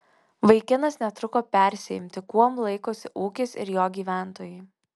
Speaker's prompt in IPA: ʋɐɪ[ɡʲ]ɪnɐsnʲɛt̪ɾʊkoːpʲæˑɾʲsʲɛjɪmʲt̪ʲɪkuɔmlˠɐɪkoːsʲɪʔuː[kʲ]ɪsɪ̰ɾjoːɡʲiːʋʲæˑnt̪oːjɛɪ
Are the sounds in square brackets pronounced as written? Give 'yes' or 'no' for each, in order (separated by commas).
no, yes